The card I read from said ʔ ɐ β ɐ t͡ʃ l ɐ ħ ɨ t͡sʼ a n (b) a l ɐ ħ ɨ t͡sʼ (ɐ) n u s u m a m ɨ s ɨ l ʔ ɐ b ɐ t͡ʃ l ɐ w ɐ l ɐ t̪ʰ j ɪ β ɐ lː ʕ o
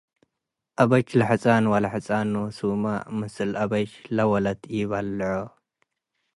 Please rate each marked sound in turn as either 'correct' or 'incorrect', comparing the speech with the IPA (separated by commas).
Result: incorrect, incorrect